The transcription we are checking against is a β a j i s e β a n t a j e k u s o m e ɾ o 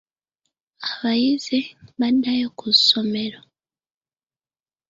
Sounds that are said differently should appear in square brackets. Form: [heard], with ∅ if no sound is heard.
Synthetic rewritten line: a β a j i [z] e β a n [d] a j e k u s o m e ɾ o

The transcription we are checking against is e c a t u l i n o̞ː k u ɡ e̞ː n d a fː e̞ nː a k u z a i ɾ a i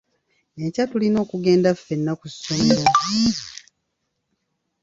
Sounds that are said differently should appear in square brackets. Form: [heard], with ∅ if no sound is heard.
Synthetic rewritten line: e c a t u l i n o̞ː k u ɡ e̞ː n d a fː e̞ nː a k u [s] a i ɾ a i

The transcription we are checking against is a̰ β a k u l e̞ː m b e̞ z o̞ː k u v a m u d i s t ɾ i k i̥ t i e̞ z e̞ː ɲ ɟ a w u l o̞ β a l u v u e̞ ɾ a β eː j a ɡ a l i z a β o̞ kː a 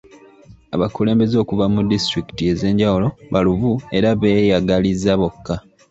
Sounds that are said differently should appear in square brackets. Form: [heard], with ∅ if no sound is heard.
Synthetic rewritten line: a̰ β a k u l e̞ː m b e̞ z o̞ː k u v a m u d i s t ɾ i k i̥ t i e̞ z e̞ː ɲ ɟ a w u l o̞ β a l u v u e̞ ɾ a β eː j a ɡ a l i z a β o̞ kː a

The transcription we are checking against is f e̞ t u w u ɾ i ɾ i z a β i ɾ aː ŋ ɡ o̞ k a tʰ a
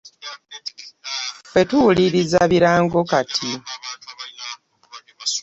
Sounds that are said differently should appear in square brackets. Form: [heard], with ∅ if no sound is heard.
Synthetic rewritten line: f e̞ t u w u [l] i ɾ i z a β i ɾ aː ŋ ɡ o̞ k a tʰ [i]

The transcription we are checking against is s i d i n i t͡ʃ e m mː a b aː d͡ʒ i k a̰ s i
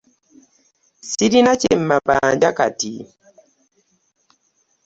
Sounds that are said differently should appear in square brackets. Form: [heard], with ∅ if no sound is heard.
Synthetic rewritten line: s i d i n [a] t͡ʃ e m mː a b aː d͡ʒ [a] k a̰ [t] i

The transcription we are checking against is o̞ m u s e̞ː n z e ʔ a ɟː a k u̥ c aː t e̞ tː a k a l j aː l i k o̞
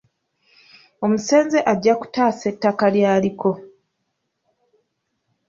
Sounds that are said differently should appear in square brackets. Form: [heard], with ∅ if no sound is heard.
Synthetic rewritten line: o̞ m u s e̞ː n z e ʔ a ɟː a k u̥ [t] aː [s] e̞ tː a k a l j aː l i k o̞

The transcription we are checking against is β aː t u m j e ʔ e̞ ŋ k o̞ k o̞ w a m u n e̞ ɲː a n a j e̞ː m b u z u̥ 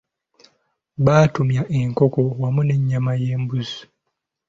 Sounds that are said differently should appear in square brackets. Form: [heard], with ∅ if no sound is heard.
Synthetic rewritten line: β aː t u m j [a] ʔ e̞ ŋ k o̞ k o̞ w a m u n e̞ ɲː a [m] a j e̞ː m b u z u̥

